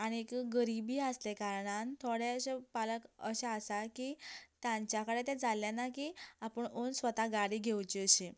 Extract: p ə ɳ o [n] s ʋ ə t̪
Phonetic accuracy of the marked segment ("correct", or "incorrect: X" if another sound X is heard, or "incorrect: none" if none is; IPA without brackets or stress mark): correct